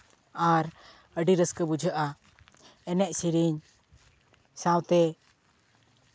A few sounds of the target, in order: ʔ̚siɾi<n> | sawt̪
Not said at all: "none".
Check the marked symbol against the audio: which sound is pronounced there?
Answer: ɲ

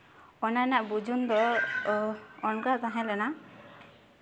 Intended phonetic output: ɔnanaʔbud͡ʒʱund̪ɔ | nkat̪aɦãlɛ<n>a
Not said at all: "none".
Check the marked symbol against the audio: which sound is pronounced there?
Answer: n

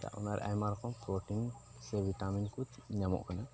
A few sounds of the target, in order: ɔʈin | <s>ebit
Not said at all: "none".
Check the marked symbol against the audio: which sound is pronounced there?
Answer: s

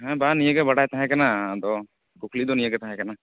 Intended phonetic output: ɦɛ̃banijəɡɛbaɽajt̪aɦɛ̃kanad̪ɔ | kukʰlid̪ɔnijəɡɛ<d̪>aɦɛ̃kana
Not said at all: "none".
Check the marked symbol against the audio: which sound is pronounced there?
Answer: t̪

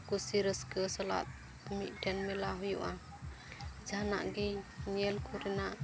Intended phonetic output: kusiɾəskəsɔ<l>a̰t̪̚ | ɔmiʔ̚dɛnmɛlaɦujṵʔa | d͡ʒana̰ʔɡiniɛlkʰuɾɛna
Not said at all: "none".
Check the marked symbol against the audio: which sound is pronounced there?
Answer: l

